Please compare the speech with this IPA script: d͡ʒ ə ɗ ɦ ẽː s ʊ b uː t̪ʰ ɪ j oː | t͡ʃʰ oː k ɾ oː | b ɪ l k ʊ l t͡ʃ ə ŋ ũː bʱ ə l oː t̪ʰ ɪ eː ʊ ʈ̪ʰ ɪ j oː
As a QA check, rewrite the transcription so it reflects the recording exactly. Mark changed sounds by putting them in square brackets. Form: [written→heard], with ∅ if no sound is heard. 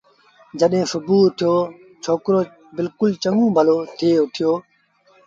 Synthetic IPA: d͡ʒ ə ɗ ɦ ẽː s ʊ b uː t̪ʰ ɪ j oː | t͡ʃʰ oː k ɾ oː | b ɪ l k ʊ l t͡ʃ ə ŋ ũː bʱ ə l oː t̪ʰ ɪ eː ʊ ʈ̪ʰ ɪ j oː